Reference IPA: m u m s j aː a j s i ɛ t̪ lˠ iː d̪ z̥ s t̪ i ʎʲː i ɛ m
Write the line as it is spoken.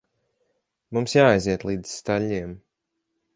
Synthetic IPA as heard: m u m s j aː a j z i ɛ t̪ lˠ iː d̪ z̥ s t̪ a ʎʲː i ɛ m

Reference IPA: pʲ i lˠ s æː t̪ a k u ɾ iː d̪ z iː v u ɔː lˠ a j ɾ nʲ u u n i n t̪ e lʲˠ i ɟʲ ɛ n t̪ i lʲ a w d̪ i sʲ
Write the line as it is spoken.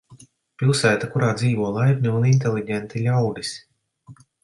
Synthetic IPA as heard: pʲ i lˠ s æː t̪ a k u ɾ aː d̪ z iː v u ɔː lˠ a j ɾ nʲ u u n i n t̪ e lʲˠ i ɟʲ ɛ n t̪ i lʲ a w d̪ i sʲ

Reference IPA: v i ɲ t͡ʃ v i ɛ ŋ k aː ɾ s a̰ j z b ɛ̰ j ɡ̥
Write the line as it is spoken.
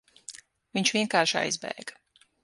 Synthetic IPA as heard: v i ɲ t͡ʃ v i ɛ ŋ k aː ɾ ʃ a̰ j z b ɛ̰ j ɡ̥

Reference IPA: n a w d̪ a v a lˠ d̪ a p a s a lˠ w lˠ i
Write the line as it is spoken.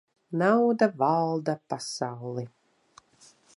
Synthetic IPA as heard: n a w d̪ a v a lˠ d̪ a p a s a w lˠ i

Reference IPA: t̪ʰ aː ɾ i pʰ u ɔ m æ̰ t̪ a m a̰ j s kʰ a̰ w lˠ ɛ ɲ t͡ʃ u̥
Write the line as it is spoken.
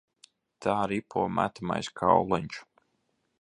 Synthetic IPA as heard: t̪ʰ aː ɾ i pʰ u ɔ m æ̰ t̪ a m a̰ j s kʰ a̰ w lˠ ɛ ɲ t͡ʃ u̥

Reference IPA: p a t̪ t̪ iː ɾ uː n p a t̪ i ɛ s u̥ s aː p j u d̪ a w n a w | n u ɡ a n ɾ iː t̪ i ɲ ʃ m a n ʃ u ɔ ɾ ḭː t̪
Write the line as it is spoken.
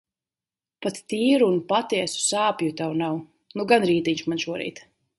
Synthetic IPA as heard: p a t̪ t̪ iː ɾ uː n p a t̪ i ɛ s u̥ s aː p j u t̪ a w n a w | n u ɡ a n ɾ iː t̪ i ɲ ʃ m a n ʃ u ɔ ɾ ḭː t̪

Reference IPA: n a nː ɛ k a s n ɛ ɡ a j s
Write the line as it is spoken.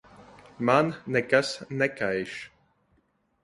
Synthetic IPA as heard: m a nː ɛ k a s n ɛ k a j ʃ

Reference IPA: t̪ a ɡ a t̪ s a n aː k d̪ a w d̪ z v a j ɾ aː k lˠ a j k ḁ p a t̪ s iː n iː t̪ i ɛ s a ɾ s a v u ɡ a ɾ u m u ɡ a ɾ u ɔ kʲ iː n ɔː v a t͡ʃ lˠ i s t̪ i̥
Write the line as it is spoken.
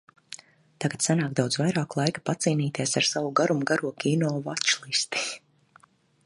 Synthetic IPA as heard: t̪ a ɡ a t̪ s a n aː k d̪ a w d̪ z v a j ɾ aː k lˠ a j k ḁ p a t̪ s iː n iː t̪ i ɛ s a ɾ s a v u ɡ a ɾ u m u ɡ a ɾ u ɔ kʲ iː n ɔː v a t͡ʃ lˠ i s t̪ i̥

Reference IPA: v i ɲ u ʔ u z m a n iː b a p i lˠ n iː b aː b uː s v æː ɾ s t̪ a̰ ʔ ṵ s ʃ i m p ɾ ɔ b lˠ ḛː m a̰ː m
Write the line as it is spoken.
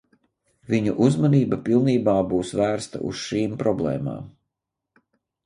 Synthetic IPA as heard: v i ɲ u ʔ u z m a n iː b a p i lˠ n iː b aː b uː s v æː ɾ s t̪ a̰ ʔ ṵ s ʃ iː m p ɾ ɔ b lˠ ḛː m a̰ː m

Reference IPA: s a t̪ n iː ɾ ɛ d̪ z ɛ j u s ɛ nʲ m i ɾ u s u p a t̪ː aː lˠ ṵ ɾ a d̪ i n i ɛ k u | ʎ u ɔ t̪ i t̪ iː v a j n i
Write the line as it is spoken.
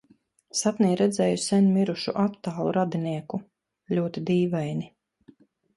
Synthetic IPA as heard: s a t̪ n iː ɾ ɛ d̪ z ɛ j u s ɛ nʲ m i ɾ u ʃ u ʔ a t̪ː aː lˠ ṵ ɾ a d̪ i n i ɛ k u | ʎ u ɔ t̪ i d̪ iː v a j n i

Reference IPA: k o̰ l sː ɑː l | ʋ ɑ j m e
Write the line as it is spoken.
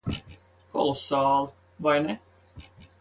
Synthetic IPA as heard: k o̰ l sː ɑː l | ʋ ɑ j n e

